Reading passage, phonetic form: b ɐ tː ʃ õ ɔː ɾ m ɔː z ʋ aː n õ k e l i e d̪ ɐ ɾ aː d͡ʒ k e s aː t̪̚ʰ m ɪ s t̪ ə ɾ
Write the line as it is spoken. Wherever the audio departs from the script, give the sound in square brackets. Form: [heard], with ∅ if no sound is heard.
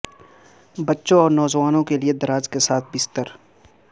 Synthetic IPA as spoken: b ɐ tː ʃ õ ɔː ɾ [n] ɔː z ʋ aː n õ k e l i e d̪ ɐ ɾ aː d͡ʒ k e s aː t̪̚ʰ [b] ɪ s t̪ ə ɾ